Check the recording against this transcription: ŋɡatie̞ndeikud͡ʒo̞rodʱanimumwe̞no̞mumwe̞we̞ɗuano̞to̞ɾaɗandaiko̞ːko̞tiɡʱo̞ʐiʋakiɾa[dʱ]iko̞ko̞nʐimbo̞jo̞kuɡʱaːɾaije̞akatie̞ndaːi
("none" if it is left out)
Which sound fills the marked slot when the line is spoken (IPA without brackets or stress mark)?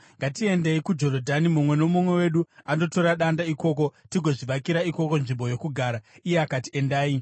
none